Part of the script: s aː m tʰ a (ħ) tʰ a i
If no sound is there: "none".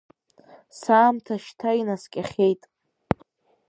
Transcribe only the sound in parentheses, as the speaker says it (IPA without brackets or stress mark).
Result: ʃ